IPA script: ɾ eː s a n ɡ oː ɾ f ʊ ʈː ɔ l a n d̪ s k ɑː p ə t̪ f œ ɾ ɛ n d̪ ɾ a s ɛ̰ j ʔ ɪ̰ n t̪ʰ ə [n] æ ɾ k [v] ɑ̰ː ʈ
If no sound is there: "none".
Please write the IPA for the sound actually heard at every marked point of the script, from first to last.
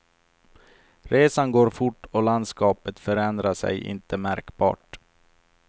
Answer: m, b

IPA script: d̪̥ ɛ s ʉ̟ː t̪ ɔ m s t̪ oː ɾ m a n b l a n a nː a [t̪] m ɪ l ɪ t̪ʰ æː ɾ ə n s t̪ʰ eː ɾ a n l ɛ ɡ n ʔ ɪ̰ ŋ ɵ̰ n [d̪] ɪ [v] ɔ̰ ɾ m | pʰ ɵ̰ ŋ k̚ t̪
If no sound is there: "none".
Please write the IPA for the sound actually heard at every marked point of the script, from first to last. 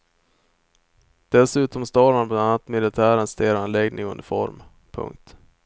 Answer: t̪, d̪, f

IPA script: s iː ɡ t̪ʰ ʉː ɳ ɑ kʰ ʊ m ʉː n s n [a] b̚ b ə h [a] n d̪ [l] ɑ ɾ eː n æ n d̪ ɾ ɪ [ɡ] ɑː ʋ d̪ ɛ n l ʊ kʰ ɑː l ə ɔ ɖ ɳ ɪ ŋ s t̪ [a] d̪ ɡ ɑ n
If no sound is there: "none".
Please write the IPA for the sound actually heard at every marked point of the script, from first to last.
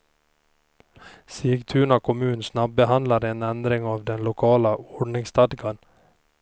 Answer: ɑ, ɑ, l, ŋ, ɑ

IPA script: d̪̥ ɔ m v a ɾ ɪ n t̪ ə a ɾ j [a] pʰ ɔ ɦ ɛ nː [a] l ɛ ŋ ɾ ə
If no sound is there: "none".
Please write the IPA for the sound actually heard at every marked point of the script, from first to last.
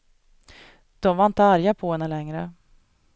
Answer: a, ə

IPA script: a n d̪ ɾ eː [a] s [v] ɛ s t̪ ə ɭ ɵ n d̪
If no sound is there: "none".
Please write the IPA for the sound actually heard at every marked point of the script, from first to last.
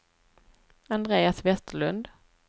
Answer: a, v

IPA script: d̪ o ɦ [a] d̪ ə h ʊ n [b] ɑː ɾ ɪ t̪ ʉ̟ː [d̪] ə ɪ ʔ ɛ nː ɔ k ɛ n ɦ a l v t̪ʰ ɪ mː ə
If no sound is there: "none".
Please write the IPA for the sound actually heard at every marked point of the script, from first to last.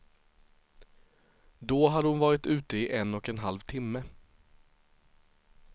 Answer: a, v, t̪

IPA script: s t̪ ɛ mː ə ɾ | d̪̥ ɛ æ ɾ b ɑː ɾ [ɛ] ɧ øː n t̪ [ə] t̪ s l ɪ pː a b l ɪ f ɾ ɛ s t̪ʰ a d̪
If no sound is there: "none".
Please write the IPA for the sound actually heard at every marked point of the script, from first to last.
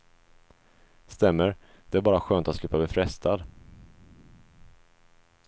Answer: a, a

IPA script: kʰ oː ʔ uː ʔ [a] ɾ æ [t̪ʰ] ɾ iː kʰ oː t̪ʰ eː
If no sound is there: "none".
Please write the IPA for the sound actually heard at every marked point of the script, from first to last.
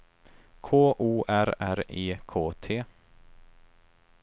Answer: æ, none

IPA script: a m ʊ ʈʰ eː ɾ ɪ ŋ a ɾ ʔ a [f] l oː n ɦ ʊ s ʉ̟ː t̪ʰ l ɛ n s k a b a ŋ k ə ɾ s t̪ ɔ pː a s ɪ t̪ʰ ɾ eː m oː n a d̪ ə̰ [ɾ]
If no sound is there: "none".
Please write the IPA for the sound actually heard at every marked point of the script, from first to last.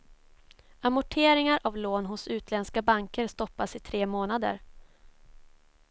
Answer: v, ɾ

